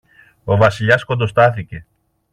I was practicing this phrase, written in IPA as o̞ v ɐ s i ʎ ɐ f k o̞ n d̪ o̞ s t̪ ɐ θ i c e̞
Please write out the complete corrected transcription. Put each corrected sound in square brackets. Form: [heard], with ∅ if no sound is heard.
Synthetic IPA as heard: o̞ v ɐ s i ʎ ɐ [s] k o̞ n d̪ o̞ s t̪ ɐ θ i c e̞